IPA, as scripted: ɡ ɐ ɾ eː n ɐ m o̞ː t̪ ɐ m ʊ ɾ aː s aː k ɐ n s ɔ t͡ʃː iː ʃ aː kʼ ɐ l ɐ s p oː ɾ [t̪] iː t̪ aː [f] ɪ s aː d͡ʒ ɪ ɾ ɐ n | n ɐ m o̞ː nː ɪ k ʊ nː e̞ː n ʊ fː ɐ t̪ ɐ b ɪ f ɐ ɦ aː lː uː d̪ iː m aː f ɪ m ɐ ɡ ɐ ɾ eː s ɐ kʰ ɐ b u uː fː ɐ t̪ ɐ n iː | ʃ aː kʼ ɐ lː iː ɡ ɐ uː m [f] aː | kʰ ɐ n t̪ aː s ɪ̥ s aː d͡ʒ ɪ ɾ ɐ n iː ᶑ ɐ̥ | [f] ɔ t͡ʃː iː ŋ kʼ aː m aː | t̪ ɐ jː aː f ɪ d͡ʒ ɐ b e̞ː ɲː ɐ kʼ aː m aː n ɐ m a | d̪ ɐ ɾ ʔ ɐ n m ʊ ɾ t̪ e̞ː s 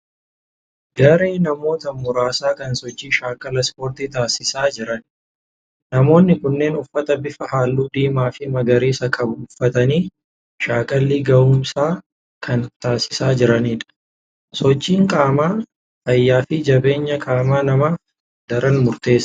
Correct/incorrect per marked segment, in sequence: correct, incorrect: s, incorrect: s, incorrect: s

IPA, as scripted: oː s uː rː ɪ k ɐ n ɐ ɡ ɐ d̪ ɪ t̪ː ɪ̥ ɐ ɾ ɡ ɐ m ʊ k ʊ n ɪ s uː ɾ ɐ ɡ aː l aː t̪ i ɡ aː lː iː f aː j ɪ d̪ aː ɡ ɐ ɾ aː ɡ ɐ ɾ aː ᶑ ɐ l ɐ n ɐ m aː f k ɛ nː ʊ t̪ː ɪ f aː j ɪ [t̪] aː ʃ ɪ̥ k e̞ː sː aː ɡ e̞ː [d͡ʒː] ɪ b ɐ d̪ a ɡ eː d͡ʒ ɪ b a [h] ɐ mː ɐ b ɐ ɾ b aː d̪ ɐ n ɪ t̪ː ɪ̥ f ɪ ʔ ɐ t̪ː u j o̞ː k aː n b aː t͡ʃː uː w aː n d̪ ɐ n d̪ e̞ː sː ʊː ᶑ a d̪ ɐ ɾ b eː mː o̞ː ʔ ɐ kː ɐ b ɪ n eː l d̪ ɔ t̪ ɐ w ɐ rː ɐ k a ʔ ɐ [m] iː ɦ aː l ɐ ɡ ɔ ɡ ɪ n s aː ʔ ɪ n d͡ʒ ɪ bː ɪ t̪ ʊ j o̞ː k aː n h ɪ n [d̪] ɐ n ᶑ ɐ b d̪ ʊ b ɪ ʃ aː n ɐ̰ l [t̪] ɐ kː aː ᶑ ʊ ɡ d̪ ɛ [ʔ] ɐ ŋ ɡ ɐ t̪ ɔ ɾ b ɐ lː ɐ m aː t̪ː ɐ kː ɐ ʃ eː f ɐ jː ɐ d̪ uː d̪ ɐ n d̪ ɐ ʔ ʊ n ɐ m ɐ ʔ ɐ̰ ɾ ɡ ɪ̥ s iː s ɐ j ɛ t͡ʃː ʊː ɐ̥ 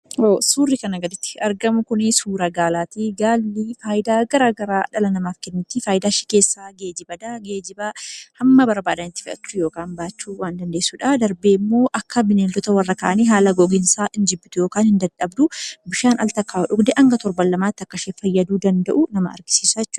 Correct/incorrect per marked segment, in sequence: incorrect: d̪, incorrect: d͡ʒ, correct, incorrect: n, correct, correct, correct

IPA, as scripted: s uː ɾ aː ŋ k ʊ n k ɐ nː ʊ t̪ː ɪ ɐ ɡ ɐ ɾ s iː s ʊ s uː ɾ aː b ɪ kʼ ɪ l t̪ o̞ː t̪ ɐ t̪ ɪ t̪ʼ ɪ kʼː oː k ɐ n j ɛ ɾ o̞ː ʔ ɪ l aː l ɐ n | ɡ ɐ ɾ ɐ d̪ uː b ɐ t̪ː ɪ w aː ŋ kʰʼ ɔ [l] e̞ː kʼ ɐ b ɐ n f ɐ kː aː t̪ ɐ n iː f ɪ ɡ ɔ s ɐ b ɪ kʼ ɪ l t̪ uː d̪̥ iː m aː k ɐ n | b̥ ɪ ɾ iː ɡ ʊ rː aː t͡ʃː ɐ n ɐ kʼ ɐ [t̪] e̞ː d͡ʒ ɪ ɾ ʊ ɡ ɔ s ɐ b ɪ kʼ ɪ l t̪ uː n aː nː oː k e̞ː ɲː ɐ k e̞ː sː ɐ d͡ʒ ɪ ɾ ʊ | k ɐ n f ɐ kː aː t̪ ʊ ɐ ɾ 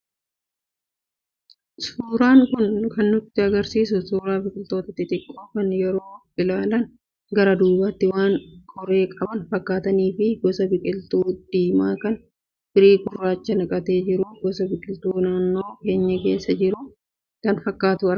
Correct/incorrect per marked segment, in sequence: incorrect: ɾ, correct

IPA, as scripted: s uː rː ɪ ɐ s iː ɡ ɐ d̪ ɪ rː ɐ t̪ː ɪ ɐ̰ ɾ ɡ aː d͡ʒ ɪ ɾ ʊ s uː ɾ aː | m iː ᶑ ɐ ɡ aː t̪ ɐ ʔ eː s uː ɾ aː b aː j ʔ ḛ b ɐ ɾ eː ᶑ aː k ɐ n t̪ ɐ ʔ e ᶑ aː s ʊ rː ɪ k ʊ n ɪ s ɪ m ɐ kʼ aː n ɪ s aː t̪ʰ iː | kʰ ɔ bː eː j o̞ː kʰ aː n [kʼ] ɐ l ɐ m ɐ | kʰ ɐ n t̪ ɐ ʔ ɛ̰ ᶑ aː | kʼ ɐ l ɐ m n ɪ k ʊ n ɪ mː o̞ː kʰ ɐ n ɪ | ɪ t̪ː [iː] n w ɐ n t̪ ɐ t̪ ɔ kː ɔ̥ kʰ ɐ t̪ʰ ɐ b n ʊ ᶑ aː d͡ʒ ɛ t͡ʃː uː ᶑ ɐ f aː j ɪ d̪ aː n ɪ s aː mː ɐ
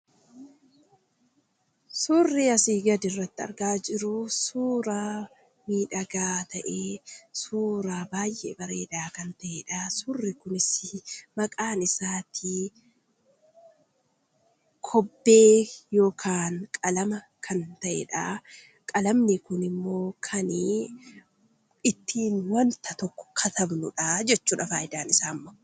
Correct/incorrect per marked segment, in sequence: correct, correct

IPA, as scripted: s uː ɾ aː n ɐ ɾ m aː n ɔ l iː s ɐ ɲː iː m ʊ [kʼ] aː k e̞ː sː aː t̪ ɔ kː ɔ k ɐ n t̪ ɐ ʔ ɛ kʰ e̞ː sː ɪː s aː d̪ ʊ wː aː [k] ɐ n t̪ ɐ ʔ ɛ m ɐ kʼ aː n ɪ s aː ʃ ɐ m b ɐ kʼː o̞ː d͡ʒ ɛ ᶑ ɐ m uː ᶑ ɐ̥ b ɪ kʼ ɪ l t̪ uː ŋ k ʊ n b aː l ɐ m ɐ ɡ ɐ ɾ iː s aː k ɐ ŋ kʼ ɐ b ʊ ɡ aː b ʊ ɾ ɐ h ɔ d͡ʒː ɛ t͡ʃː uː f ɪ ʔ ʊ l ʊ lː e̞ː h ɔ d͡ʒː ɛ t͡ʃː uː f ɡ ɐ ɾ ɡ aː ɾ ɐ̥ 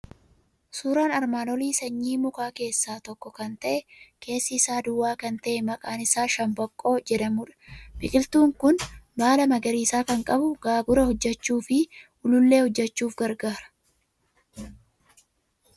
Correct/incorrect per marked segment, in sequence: incorrect: k, correct

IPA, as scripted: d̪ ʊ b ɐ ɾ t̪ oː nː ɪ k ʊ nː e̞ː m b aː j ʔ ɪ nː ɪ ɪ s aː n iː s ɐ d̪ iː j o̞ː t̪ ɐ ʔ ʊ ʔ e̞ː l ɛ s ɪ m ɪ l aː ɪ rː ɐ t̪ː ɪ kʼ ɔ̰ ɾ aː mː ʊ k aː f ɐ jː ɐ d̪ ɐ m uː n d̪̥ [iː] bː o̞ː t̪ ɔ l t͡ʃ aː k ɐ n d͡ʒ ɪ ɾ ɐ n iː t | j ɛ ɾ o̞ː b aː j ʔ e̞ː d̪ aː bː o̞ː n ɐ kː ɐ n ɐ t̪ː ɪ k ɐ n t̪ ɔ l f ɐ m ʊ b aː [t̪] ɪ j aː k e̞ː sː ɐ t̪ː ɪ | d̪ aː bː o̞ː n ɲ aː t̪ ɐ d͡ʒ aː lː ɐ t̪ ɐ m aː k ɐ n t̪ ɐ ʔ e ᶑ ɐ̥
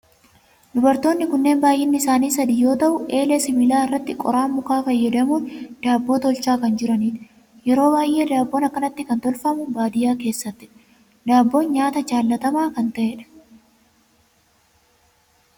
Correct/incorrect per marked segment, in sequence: incorrect: aː, incorrect: d̪

